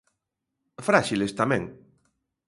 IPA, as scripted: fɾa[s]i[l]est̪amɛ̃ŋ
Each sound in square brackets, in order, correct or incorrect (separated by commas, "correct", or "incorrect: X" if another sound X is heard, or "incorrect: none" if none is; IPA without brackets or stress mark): incorrect: ʃ, correct